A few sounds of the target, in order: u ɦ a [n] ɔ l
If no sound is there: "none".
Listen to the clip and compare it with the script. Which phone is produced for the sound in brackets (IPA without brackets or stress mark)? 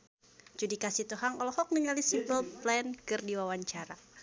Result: ŋ